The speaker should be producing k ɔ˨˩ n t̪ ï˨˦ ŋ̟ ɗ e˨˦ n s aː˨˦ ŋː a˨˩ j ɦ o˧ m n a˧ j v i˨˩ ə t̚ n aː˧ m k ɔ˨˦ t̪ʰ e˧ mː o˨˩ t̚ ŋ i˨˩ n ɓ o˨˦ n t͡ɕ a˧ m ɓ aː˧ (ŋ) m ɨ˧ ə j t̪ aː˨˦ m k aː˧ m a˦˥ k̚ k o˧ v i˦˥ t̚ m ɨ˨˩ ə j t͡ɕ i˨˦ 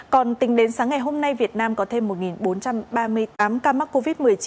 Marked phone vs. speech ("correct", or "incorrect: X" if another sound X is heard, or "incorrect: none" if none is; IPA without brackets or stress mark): incorrect: none